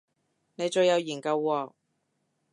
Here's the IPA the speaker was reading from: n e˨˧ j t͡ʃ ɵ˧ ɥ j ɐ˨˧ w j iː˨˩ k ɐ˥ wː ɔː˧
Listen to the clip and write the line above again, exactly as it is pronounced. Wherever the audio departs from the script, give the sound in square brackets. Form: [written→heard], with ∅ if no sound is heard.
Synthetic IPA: n e˨˧ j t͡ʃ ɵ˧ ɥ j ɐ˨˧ w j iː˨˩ k [ɐ˥→ɐ˧] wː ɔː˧